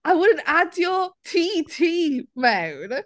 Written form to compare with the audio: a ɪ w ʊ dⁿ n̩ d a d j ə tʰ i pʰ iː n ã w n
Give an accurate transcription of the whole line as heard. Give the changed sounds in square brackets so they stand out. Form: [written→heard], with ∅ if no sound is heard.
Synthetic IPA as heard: a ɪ w ʊ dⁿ n̩ [d→t] a d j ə tʰ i [pʰ→tʰ] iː [n→m] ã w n

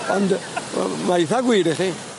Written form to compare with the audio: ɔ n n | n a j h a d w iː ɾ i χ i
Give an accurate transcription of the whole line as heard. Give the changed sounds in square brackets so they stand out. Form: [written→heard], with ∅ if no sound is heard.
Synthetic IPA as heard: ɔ n [n→d] | [n→m] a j [h→θ] a [d→ɡ] w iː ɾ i χ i

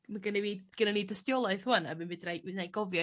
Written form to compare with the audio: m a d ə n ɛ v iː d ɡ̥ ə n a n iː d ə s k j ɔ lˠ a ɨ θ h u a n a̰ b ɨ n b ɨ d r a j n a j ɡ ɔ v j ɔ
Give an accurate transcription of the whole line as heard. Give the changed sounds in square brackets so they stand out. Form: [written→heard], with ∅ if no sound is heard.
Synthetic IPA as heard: m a [d→ɡ] ə n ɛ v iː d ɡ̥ ə n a n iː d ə s [k→t] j ɔ lˠ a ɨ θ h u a n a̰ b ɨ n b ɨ d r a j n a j ɡ ɔ v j ɔ

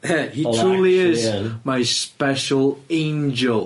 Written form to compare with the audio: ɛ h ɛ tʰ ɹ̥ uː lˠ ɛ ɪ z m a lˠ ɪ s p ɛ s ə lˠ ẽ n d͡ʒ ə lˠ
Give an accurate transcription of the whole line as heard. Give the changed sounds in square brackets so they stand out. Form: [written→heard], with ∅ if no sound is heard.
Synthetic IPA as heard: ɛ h [ɛ→i] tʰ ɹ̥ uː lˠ [ɛ→i] ɪ z m a [lˠ→∅] ɪ s p ɛ [s→ʃ] ə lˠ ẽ n d͡ʒ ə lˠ

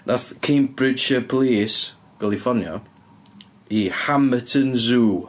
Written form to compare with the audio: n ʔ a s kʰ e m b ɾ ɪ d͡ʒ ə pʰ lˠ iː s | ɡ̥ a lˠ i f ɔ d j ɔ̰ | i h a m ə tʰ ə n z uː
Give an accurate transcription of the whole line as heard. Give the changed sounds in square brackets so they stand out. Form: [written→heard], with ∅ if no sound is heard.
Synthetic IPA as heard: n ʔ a [s→θ] kʰ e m b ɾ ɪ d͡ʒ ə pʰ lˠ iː s | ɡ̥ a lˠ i f ɔ [d→n] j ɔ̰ | i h a m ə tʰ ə n z uː

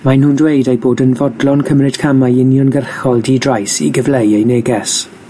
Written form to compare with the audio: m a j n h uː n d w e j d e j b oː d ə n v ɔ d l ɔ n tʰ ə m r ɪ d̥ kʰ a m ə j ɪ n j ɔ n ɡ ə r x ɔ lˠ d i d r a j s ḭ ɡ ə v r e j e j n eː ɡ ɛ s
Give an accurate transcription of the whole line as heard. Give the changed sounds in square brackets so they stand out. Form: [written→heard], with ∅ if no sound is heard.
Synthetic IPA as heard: m a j n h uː n d w e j d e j b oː d ə n v ɔ d l ɔ n [tʰ→kʰ] ə m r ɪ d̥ kʰ a m [ə→a] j ɪ n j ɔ n ɡ ə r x ɔ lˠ d i d r a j s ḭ ɡ ə v [r→l] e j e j n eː ɡ ɛ s

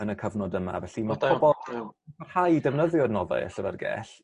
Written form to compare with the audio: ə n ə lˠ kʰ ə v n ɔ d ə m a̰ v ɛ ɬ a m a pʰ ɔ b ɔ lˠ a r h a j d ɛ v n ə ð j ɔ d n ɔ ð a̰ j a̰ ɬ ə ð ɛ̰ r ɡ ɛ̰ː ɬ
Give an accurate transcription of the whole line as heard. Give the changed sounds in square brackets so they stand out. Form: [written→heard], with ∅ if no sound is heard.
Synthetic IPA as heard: ə n ə [lˠ→∅] kʰ ə v n ɔ d ə m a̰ v ɛ ɬ [a→i] m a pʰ ɔ b ɔ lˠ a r h a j d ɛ v n ə ð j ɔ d n ɔ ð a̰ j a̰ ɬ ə [ð→v] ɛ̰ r ɡ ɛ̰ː ɬ

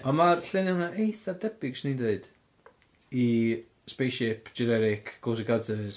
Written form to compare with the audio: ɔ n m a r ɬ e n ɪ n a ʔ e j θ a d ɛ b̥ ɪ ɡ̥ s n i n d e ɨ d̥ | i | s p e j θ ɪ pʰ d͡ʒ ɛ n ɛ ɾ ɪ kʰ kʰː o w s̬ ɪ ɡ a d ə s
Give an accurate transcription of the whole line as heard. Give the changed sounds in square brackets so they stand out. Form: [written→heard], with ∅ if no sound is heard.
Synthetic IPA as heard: ɔ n m a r ɬ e n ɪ n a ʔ e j θ a d ɛ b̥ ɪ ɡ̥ s n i n d e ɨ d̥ | i | s p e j [θ→ʃ] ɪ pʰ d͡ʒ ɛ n ɛ ɾ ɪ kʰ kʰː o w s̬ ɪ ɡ a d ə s

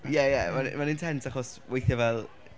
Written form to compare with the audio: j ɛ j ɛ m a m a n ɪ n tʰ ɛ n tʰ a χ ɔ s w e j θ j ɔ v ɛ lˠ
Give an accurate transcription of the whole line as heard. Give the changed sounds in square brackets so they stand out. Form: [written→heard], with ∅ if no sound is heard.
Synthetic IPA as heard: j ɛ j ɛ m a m a n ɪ n tʰ ɛ n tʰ a χ ɔ s w e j θ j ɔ v ɛ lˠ

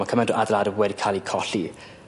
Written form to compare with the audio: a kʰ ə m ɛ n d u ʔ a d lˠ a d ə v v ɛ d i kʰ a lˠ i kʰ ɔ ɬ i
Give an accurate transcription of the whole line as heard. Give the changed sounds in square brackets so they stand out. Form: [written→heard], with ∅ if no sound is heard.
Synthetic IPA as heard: a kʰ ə m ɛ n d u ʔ a d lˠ a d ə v [v→w] ɛ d i kʰ a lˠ i kʰ ɔ ɬ i

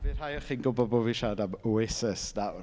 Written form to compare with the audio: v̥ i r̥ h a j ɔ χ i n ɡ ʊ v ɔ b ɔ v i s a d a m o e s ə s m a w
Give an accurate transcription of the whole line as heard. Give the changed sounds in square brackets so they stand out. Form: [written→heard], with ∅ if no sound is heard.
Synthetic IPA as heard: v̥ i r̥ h a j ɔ χ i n ɡ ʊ [v→b] ɔ b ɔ v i [s→ʃ] a d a m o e s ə s [m→n] a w

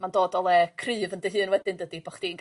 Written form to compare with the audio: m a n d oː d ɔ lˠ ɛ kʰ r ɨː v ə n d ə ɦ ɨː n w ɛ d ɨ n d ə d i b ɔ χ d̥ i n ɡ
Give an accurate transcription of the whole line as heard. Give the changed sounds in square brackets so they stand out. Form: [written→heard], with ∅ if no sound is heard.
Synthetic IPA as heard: m a n d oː d ɔ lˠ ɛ kʰ r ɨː v ə n d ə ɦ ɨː n w ɛ d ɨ n d ə d i b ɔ χ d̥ i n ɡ

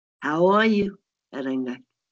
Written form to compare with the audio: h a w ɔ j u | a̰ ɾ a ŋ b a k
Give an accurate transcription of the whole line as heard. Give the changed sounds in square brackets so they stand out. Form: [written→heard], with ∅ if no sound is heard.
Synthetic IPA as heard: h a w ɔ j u | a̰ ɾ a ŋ [b→ɡ] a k

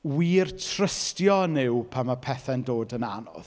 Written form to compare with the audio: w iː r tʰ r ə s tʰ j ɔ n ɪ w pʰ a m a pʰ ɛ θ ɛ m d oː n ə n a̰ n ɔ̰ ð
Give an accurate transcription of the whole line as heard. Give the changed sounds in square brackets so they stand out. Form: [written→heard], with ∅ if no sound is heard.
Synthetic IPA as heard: w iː r tʰ r ə s [tʰ→t] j ɔ n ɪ w pʰ a m a pʰ ɛ θ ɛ [m→n] d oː [n→d] ə n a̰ n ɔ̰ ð

